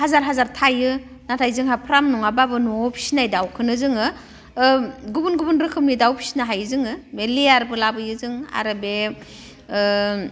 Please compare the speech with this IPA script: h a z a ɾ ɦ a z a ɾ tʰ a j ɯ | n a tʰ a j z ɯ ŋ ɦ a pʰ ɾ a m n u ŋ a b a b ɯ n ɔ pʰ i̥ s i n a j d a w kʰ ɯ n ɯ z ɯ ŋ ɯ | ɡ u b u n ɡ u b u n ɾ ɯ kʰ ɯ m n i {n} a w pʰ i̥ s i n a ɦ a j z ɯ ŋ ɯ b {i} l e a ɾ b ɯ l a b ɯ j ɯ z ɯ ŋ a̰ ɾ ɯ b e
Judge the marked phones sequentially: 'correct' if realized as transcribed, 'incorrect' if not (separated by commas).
incorrect, incorrect